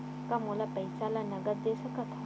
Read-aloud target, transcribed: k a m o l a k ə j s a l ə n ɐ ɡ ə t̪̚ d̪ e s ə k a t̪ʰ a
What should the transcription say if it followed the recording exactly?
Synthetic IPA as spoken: k a m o l a p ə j s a l a n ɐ ɡ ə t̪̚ d̪ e s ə k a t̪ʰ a